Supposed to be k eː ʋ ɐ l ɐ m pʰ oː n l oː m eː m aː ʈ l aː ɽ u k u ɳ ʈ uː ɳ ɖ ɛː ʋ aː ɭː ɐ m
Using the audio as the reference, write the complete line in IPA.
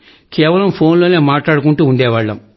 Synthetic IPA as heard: k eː ʋ ɐ l ɐ m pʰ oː n l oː n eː m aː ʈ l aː ɽ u k u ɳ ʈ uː ɳ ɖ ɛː ʋ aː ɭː ɐ m